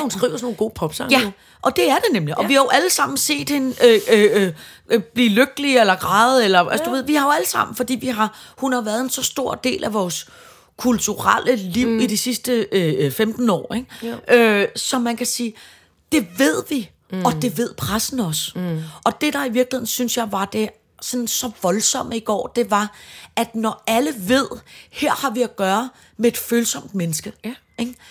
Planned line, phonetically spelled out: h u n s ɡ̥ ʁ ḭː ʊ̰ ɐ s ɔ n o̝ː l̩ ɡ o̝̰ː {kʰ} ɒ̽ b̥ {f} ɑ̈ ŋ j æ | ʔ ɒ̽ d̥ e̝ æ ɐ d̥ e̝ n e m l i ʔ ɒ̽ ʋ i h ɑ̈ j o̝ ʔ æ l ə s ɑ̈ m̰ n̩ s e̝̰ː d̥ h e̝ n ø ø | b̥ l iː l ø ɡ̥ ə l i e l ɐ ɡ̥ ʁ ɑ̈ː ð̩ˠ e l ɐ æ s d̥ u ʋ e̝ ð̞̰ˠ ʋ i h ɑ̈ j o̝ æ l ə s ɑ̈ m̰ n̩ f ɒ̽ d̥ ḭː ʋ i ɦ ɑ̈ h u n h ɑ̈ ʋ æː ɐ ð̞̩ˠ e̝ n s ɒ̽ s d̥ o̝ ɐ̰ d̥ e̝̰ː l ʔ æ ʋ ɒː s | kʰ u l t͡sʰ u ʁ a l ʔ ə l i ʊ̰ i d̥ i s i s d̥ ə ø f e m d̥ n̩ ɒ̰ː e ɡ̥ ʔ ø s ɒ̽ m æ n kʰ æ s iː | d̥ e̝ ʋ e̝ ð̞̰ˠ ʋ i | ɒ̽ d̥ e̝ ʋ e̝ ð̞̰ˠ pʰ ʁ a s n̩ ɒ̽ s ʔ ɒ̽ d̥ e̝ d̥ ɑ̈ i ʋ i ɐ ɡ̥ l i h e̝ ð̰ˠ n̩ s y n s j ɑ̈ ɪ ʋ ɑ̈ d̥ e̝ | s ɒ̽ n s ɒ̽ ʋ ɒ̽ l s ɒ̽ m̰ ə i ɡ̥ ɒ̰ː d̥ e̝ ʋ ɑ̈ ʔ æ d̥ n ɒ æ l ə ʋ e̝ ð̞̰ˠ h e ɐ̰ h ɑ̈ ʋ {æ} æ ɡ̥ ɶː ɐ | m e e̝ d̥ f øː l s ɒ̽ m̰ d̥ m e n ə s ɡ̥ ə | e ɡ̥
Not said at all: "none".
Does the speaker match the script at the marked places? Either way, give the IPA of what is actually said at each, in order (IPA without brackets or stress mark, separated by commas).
pʰ, s, i